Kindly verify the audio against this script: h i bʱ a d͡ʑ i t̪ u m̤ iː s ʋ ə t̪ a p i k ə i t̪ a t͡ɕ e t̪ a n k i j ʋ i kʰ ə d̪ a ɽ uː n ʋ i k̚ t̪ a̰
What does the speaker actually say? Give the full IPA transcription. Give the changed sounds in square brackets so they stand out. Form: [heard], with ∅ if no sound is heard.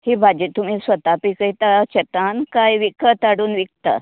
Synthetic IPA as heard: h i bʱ a d͡ʑ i t̪ u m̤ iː s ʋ ə t̪ a p i k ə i t̪ a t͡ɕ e t̪ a n k [a] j ʋ i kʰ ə [t̪] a ɽ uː n ʋ i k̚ t̪ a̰